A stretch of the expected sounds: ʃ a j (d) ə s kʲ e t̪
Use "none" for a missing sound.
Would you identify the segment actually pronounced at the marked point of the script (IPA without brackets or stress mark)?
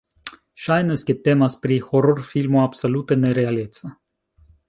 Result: n